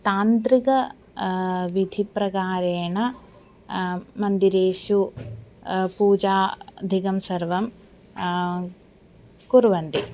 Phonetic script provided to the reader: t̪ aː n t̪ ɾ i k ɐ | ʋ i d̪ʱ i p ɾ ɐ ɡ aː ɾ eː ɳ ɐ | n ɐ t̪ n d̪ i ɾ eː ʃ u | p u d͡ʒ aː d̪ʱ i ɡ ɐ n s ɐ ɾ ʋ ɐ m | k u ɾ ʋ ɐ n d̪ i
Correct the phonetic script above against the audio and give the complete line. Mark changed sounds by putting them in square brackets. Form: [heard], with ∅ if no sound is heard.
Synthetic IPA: t̪ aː n t̪ ɾ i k ɐ | ʋ i d̪ʱ i p ɾ ɐ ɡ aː ɾ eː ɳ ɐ | [m] ɐ [∅] n d̪ i ɾ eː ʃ u | p [uː] d͡ʒ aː d̪ʱ i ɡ ɐ [m] s ɐ ɾ ʋ ɐ m | k u ɾ ʋ ɐ n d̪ i